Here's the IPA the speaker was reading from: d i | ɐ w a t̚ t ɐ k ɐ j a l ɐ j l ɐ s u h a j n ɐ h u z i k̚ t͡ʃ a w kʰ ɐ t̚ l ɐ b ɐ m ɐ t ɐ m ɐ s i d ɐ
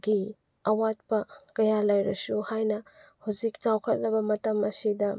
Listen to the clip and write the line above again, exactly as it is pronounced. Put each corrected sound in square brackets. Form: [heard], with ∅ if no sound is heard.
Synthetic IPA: [ɡ] i | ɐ w a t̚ [p] ɐ k ɐ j a l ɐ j [ɾ] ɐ s u h a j n ɐ h u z i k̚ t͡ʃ a w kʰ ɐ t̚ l ɐ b ɐ m ɐ t ɐ m ɐ s i d ɐ